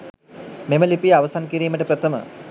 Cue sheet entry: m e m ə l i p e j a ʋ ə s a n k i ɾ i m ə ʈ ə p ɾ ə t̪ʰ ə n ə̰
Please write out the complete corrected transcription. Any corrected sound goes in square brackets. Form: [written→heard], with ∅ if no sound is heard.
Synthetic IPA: m e m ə l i p [e→i] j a ʋ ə s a n k i ɾ [i→iː] m ə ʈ ə p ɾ ə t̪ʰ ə [n→m] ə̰